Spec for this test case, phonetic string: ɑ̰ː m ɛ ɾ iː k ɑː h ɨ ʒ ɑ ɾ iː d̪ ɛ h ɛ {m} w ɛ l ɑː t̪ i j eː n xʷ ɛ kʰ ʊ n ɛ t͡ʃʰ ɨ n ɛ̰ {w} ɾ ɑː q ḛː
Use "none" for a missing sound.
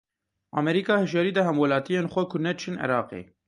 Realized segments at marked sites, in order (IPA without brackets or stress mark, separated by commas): m, none